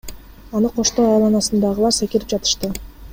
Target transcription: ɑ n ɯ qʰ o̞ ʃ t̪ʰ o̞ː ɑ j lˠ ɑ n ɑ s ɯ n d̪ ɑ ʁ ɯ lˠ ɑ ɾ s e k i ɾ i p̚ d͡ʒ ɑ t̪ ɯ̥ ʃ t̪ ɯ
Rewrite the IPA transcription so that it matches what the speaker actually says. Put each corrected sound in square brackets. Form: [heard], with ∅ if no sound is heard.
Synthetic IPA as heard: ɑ n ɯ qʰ o̞ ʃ [t̪] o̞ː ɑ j lˠ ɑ n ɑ s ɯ n d̪ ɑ ʁ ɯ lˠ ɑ ɾ s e k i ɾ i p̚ d͡ʒ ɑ t̪ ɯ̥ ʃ t̪ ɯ